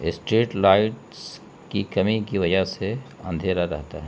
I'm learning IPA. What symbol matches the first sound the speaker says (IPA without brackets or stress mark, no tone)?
ɪ